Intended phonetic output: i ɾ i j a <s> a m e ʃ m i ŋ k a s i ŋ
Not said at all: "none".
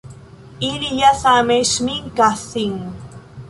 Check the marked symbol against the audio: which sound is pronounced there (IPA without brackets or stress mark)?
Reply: s